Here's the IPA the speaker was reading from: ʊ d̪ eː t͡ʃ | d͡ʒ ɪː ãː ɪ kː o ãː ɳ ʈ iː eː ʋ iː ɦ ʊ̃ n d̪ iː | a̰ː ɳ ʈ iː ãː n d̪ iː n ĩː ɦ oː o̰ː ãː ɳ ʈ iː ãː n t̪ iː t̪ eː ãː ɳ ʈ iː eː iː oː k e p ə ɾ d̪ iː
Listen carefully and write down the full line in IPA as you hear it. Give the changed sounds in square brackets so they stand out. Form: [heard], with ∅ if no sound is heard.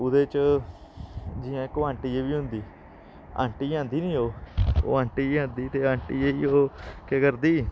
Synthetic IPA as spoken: ʊ d̪ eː t͡ʃ | d͡ʒ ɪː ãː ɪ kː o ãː ɳ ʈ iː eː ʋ iː ɦ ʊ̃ n d̪ iː | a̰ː ɳ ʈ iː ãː n d̪ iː n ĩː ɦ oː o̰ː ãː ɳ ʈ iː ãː n [d̪] iː t̪ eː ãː ɳ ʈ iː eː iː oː k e [k] ə ɾ d̪ iː